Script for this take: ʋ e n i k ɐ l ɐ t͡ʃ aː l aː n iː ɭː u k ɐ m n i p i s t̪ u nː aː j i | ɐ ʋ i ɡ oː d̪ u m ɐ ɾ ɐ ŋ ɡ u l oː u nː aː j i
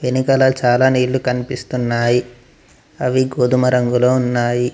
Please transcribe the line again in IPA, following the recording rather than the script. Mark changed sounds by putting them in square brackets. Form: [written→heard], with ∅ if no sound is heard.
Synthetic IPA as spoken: ʋ e n i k ɐ l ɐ t͡ʃ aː l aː n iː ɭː u k ɐ [m→∅] n i p i s t̪ u nː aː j i | ɐ ʋ i ɡ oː d̪ u m ɐ ɾ ɐ ŋ ɡ u l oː u nː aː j i